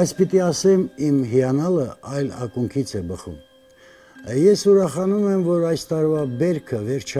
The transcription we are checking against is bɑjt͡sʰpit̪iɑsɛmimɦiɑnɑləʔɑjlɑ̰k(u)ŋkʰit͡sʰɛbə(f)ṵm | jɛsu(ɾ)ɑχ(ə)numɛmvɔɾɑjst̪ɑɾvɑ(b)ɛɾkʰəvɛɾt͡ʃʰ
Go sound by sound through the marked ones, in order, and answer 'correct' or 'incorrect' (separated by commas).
correct, incorrect, correct, incorrect, correct